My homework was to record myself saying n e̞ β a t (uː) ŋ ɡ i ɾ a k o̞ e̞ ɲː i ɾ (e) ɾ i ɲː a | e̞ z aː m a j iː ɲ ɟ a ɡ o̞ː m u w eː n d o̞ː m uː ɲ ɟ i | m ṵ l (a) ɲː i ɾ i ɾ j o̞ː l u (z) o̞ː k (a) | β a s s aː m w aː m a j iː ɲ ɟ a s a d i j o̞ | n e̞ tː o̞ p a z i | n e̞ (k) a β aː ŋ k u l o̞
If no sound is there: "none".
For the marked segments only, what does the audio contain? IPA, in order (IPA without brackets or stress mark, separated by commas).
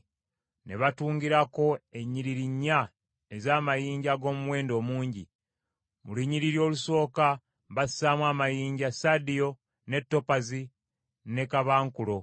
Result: uː, i, i, s, a, k